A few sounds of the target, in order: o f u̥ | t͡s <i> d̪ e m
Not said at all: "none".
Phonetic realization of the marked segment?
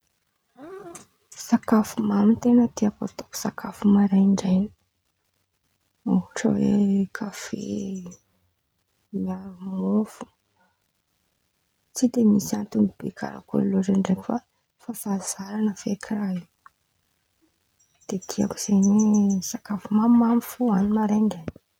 i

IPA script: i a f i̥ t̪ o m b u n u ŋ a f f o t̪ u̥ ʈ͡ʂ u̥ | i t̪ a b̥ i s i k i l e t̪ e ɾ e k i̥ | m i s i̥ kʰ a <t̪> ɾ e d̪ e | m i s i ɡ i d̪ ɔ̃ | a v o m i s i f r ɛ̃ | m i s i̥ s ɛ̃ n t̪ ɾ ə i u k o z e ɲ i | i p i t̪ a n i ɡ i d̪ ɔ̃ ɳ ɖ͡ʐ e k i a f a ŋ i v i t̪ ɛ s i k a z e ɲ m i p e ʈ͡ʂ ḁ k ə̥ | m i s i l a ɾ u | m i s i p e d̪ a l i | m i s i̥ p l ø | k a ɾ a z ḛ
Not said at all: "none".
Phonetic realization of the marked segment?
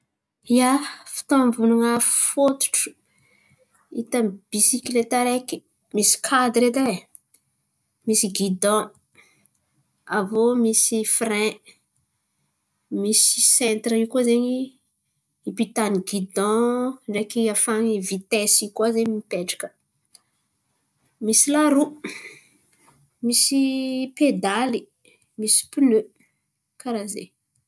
d̪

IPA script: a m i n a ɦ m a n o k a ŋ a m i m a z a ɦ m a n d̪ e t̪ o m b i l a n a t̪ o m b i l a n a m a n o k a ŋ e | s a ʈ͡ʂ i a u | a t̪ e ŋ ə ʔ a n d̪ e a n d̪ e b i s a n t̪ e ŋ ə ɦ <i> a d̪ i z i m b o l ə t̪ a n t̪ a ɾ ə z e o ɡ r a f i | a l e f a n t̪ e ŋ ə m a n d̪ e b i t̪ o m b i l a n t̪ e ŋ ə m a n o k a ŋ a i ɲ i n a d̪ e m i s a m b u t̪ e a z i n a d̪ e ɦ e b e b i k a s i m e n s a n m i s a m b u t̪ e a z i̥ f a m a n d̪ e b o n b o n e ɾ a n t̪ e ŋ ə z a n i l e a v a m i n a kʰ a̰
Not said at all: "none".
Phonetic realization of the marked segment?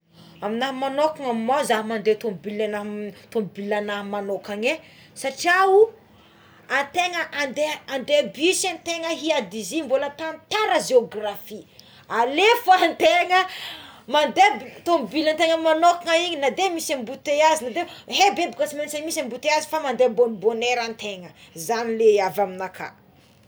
i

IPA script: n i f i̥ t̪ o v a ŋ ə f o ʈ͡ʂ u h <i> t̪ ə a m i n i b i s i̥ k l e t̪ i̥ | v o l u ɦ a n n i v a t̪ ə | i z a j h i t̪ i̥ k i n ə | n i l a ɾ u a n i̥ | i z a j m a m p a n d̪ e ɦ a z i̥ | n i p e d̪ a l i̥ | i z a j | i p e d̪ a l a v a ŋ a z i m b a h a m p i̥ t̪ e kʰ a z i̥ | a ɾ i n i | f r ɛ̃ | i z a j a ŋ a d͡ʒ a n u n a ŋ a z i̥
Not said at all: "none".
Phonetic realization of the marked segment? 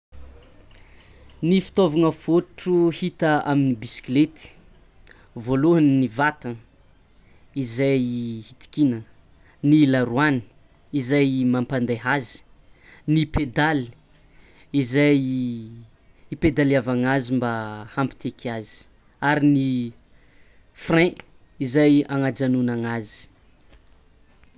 i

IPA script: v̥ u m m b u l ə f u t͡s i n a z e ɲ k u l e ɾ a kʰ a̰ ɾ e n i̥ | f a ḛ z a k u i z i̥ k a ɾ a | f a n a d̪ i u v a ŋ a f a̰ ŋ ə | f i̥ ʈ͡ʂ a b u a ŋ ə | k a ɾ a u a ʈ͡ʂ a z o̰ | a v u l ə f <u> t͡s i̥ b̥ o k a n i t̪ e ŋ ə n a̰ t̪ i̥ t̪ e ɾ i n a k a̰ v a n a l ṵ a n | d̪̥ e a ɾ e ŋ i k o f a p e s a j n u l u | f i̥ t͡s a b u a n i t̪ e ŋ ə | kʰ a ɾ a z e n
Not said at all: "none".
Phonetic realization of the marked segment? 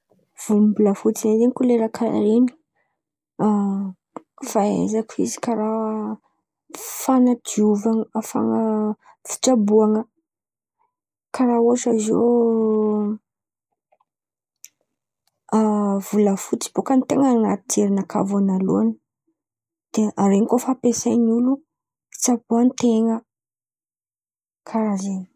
u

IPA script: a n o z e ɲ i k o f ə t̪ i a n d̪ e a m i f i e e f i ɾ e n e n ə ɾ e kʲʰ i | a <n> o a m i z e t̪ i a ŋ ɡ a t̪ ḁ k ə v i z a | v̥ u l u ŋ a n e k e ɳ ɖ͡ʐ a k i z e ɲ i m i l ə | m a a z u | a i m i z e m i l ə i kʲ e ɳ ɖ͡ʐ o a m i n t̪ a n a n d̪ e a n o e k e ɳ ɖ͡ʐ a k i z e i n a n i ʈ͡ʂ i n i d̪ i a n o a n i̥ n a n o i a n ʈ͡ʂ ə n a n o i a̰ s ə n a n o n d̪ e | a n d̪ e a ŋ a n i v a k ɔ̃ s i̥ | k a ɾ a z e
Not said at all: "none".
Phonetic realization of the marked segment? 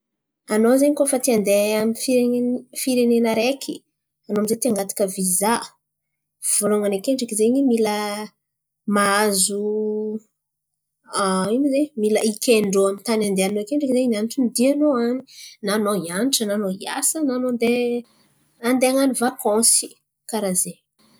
n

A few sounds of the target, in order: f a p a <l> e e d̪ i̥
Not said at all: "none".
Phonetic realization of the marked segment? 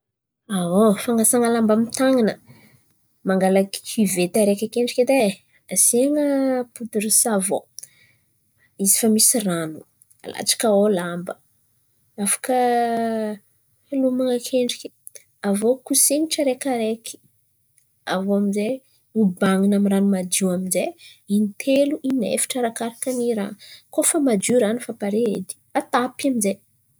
ɾ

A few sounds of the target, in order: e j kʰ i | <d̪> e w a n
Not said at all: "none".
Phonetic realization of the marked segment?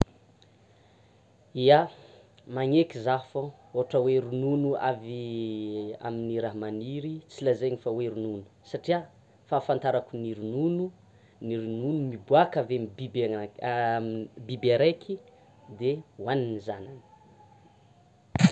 d̪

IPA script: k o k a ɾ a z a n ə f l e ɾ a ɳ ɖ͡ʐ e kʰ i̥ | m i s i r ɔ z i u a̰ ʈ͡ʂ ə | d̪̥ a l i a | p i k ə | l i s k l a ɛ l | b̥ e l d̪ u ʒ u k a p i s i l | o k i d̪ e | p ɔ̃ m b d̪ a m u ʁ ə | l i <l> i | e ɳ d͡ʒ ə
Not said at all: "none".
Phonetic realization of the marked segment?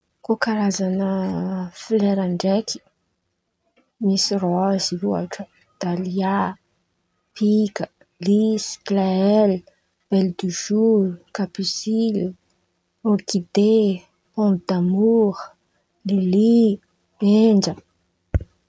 l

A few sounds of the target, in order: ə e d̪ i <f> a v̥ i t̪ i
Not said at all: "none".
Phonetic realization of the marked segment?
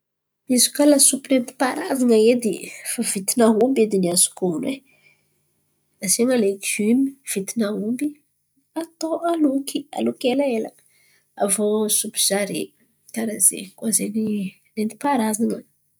f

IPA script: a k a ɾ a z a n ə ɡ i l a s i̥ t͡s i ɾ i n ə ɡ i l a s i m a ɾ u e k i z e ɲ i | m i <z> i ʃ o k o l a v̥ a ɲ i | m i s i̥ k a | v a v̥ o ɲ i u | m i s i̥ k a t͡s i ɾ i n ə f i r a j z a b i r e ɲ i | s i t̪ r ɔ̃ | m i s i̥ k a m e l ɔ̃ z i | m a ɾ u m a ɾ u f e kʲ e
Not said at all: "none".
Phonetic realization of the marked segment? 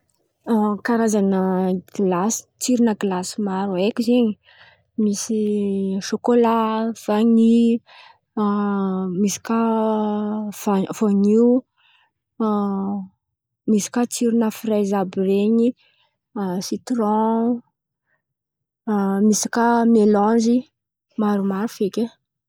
s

